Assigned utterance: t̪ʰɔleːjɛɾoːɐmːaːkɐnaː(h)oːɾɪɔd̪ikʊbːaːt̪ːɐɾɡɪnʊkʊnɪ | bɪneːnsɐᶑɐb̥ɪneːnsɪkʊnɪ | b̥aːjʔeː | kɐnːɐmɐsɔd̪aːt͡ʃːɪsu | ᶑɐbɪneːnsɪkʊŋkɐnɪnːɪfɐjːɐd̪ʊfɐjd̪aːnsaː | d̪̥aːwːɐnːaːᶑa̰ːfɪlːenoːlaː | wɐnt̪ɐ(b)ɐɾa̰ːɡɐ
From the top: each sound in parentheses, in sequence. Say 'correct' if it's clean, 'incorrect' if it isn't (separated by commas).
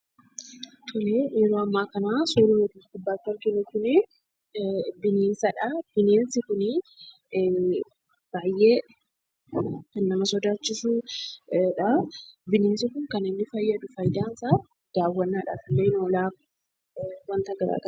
incorrect, incorrect